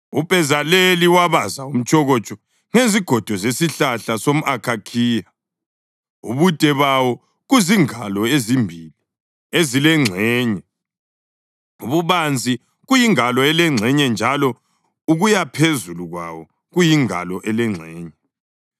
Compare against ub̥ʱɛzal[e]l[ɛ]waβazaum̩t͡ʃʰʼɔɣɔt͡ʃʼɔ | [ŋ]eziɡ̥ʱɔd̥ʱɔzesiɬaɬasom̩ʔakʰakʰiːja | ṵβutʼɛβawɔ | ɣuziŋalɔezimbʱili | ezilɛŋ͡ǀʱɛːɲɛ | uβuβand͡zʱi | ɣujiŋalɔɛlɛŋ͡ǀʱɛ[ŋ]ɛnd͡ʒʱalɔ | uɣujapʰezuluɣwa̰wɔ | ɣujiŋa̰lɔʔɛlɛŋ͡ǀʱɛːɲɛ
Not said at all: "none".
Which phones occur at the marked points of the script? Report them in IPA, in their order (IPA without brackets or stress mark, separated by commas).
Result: e, i, ŋ, ɲ